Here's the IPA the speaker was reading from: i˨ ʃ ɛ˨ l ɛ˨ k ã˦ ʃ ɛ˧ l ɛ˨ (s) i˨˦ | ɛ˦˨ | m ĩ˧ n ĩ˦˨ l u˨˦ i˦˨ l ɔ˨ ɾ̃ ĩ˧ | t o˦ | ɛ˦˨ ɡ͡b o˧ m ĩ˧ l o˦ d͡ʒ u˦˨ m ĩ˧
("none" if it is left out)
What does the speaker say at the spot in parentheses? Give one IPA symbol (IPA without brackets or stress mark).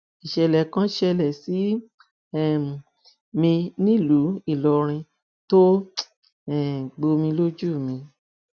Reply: s